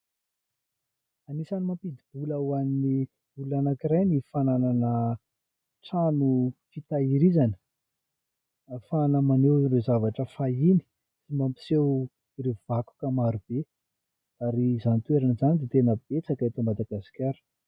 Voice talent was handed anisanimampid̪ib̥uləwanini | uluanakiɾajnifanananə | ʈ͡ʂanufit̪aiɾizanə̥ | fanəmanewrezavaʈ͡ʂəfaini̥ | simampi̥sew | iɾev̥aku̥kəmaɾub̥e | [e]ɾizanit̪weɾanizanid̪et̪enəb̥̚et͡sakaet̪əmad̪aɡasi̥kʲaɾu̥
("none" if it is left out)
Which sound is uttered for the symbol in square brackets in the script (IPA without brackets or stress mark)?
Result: a